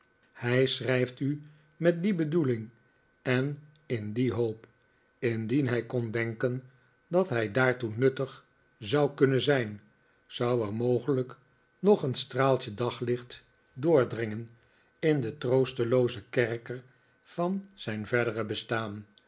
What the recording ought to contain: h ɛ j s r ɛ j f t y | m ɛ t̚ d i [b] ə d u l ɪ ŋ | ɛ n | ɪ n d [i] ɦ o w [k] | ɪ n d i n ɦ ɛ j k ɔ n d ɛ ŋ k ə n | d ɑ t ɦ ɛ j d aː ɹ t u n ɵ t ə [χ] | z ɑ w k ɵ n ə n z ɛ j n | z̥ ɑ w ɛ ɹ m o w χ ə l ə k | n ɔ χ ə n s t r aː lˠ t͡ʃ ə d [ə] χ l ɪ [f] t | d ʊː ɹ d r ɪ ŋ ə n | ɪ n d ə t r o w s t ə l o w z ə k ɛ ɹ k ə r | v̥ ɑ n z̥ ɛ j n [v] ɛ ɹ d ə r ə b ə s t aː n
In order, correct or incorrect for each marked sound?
correct, correct, incorrect, correct, incorrect, incorrect, correct

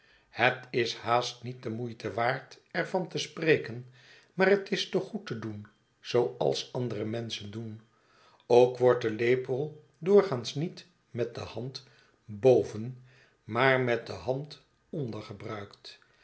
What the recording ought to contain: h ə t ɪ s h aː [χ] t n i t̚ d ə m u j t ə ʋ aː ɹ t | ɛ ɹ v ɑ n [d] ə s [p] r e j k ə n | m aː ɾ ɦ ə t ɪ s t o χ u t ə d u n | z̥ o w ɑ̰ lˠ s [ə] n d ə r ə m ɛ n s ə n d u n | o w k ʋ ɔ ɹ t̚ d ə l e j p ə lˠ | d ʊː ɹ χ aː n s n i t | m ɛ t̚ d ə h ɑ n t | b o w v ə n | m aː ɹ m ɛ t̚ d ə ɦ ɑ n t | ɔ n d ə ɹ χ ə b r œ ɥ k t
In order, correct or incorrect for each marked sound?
incorrect, incorrect, correct, incorrect

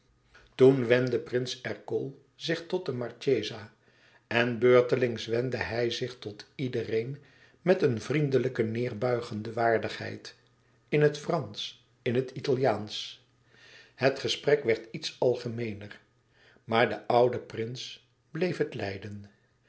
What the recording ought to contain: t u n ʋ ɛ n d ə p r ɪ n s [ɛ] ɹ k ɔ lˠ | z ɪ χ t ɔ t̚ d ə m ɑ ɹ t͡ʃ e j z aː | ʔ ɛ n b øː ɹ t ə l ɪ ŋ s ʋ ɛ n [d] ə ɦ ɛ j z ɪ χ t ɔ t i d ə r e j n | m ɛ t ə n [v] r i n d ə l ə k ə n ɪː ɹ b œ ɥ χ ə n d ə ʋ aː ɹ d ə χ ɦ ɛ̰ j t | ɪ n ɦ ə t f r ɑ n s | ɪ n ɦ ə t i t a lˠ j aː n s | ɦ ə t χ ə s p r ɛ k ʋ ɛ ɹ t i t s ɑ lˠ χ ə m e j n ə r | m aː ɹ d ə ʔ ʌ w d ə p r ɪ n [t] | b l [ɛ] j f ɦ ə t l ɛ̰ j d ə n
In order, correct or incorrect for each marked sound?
correct, correct, correct, incorrect, incorrect

